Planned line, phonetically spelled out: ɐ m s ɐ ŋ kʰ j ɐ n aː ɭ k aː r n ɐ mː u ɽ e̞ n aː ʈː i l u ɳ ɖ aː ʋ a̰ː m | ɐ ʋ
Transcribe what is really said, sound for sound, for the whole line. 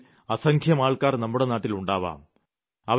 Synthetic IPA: ɐ s ɐ ŋ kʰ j ɐ m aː ɭ k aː r n ɐ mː u ɽ e̞ n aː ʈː i l u ɳ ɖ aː ʋ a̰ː m | ɐ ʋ